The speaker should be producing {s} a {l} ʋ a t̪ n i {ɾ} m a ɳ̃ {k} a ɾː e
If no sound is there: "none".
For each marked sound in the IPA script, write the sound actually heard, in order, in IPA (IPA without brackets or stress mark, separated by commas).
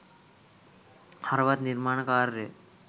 h, ɾ, ɾ, k